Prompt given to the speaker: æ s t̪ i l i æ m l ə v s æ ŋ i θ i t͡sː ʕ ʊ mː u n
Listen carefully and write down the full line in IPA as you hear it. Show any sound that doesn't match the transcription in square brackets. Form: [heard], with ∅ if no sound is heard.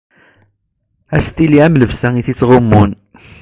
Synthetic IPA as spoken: æ s t̪ i l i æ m l ə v s æ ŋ i θ i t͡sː [ʁ] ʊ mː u n